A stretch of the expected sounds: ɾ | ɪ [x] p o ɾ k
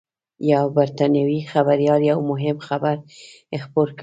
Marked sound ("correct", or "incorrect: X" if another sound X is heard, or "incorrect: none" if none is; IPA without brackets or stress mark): correct